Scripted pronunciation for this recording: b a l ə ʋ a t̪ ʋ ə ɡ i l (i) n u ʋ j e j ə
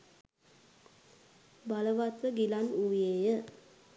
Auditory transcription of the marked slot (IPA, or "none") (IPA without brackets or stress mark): a